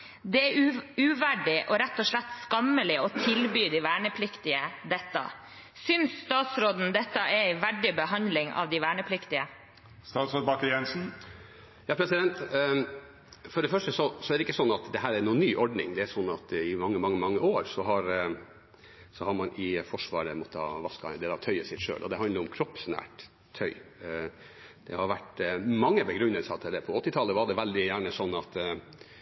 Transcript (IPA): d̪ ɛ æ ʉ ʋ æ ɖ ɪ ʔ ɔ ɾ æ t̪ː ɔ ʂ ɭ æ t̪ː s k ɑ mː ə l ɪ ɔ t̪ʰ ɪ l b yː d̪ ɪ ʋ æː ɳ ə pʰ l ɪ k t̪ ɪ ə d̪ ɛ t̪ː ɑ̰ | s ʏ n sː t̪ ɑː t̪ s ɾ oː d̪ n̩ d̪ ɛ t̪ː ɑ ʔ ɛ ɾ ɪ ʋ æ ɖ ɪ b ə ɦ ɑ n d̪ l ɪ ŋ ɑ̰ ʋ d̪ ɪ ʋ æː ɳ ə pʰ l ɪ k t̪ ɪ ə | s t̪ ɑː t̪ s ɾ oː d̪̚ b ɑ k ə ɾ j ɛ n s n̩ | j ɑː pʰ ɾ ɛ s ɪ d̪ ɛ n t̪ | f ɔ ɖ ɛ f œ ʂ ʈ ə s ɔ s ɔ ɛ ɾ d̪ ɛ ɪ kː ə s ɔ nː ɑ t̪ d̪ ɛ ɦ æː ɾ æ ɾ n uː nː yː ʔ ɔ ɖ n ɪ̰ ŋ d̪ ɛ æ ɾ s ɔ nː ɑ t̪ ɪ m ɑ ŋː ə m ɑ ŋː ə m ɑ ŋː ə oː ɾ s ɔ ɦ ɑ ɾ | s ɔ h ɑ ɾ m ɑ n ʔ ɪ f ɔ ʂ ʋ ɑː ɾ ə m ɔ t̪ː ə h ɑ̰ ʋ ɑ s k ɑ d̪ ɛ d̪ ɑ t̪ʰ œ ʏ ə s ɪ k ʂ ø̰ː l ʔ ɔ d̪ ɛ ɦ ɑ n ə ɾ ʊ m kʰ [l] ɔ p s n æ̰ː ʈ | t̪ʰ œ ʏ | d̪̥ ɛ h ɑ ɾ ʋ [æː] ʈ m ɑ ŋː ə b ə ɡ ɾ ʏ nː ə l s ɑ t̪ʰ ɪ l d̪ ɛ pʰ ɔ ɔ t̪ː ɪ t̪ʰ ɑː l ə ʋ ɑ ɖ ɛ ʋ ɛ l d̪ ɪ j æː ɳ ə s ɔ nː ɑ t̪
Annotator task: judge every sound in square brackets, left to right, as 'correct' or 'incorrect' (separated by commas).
incorrect, incorrect